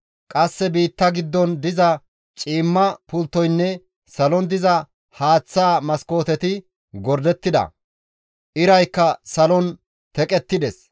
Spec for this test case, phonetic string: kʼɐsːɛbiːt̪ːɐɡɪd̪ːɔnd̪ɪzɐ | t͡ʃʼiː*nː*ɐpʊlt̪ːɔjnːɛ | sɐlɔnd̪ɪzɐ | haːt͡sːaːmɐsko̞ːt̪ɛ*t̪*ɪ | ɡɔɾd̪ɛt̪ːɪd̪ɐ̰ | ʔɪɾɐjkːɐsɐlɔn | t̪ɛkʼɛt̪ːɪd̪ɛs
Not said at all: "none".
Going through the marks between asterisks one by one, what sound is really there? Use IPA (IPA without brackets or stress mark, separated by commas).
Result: mː, t̪